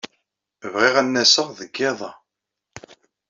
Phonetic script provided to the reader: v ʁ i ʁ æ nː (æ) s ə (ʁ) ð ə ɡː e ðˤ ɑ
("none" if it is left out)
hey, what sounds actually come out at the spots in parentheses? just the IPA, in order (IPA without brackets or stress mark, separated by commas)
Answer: æ, ʁ